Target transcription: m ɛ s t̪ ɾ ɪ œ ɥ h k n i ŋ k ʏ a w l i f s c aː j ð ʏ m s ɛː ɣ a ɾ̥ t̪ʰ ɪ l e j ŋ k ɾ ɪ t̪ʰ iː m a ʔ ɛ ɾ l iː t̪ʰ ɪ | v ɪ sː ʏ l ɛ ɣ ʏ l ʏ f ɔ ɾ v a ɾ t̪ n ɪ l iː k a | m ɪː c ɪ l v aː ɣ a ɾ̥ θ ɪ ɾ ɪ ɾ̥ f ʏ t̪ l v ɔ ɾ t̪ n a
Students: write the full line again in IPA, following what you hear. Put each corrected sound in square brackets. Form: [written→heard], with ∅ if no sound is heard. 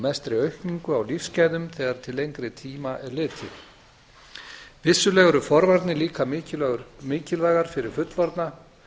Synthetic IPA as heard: m ɛ s t̪ ɾ ɪ œ ɥ h k n i ŋ k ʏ a w l i f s c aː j ð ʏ m [s→θ] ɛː ɣ a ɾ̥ t̪ʰ ɪ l e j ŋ k ɾ ɪ t̪ʰ iː m a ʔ ɛ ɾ l [iː→ɪː] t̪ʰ ɪ | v ɪ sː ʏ l ɛ ɣ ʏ [l→ɾ] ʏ f ɔ ɾ v a ɾ t̪ n ɪ l iː k a | m ɪː c ɪ l v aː ɣ a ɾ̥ [θ→f] ɪ ɾ ɪ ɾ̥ f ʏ t̪ l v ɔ ɾ t̪ n a